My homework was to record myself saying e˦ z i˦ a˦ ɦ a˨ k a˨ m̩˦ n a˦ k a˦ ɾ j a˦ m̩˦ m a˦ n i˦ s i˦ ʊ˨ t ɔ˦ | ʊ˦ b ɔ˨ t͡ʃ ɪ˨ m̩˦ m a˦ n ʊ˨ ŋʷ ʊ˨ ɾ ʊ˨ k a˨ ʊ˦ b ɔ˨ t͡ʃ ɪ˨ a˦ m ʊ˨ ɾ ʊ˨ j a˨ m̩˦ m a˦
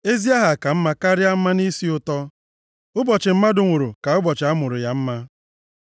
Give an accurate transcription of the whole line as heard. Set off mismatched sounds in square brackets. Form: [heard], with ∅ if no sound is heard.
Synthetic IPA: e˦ z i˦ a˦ ɦ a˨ k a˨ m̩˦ [m] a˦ k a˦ ɾ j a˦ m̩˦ m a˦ n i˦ s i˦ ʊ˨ t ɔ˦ | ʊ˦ b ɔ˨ t͡ʃ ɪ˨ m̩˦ m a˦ [d] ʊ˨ ŋʷ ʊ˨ ɾ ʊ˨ k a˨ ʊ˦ b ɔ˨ t͡ʃ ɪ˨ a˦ m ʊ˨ ɾ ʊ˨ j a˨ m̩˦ m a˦

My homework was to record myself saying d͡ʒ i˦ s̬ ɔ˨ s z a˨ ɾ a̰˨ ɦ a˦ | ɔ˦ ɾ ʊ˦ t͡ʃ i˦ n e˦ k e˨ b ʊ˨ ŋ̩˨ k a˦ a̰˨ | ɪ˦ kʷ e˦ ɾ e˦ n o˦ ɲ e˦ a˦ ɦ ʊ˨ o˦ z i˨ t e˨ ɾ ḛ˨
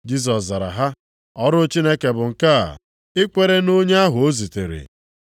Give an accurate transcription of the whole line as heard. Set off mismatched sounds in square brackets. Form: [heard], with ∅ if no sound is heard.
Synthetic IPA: d͡ʒ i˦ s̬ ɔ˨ s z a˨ ɾ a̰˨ ɦ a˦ | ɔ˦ ɾ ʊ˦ t͡ʃ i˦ n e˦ k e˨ b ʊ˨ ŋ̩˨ k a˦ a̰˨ | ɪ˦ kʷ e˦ ɾ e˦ n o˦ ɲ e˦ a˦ ɦ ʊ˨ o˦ z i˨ t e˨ ɾ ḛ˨

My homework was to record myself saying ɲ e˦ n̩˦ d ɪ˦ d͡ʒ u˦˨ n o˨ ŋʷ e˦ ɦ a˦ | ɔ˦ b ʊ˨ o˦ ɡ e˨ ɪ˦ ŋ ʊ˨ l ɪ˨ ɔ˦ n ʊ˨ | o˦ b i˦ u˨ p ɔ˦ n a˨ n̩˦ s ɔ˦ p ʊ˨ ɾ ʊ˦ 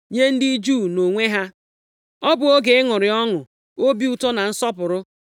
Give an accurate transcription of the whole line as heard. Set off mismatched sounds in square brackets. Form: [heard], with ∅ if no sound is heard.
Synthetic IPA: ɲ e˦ n̩˦ d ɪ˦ d͡ʒ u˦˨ n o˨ ŋʷ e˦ ɦ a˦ | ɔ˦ b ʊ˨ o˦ ɡ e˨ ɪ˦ ŋ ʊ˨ [ɾ] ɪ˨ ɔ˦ [ŋ] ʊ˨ | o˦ b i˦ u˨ [t] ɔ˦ n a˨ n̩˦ s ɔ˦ p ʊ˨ ɾ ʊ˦

